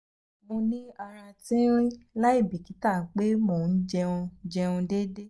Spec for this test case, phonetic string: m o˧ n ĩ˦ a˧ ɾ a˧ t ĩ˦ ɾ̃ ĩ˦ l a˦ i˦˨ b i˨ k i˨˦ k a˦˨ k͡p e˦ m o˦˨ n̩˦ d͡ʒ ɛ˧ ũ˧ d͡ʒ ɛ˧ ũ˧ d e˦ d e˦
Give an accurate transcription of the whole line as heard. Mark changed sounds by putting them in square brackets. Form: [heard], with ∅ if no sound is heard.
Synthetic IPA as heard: m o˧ n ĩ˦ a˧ ɾ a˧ t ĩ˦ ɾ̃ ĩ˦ l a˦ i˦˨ b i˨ k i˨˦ [t] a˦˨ k͡p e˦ m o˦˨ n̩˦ d͡ʒ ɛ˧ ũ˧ d͡ʒ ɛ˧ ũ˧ d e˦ d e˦